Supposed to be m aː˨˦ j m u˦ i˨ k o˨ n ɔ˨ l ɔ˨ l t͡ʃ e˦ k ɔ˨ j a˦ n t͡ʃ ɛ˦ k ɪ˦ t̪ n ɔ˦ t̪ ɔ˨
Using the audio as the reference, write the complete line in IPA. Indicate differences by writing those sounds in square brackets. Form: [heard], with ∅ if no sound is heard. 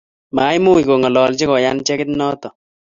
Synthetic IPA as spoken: m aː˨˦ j m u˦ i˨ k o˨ [ŋ] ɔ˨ l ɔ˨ l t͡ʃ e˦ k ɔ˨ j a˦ n t͡ʃ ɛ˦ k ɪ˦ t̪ n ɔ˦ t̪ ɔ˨